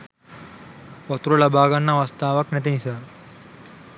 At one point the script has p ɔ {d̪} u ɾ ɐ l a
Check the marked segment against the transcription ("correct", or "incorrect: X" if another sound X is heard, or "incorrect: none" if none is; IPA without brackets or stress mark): incorrect: t̪